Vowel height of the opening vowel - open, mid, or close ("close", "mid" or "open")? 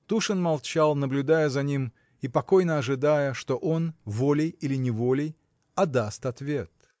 close